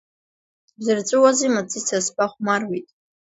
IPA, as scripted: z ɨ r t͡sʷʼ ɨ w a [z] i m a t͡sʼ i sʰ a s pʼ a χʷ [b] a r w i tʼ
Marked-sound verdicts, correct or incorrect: correct, incorrect

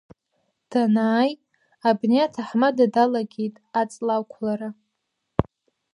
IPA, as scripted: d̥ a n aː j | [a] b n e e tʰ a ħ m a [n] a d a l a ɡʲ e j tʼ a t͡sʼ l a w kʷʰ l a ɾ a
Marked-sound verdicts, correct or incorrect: correct, incorrect

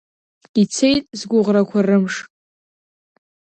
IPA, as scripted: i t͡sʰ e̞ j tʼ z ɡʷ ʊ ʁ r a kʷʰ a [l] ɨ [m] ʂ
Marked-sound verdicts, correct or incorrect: incorrect, correct

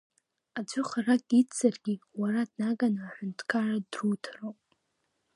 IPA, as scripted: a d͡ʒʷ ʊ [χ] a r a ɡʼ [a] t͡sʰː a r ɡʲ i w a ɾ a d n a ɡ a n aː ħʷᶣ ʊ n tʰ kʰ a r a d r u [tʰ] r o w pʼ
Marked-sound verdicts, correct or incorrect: correct, incorrect, correct

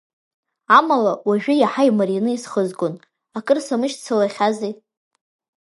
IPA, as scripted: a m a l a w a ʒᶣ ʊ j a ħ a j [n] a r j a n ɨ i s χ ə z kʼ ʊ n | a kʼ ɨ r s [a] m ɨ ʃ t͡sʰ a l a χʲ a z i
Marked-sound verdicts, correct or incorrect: incorrect, correct

